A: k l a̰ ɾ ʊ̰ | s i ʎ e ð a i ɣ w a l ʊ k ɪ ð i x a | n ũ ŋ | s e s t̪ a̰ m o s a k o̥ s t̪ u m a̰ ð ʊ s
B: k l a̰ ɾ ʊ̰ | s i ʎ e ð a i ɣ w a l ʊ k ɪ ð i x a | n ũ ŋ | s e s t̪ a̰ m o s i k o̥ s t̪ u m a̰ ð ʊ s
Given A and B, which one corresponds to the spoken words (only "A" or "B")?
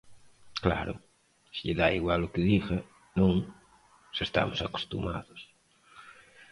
A